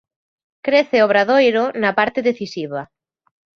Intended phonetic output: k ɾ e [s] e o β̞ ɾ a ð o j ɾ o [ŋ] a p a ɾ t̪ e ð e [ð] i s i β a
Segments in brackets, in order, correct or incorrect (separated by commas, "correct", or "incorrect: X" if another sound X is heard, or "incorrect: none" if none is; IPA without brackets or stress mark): incorrect: θ, incorrect: n, incorrect: θ